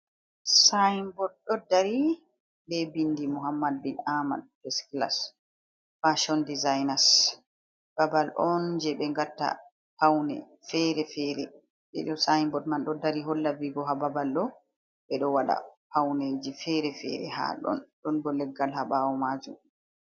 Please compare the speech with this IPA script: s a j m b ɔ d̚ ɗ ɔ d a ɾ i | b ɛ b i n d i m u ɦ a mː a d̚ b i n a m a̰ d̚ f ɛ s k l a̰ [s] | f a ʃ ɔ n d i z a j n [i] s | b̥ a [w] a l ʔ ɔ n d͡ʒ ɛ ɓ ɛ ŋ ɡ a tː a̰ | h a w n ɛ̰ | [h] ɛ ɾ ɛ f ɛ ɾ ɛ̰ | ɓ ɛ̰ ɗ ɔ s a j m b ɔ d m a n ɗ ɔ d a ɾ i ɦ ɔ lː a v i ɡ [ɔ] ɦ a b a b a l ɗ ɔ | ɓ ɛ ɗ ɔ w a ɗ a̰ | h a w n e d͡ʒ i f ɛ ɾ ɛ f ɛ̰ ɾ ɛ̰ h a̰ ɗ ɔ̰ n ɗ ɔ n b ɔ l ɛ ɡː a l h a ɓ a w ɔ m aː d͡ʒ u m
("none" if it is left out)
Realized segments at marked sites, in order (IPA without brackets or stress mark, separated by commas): s, a, b, f, ɔ